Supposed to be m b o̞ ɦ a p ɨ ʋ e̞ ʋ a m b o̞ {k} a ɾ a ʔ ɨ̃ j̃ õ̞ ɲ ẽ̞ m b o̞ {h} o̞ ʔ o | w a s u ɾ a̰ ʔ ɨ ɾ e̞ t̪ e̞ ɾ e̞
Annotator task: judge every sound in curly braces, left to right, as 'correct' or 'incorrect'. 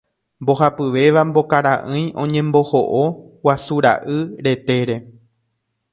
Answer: correct, correct

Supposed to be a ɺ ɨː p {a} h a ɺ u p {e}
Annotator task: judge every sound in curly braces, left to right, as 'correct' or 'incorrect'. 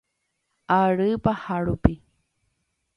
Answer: correct, incorrect: i

